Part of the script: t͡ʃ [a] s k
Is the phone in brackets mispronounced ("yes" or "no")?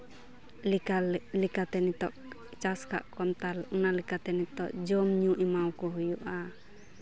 no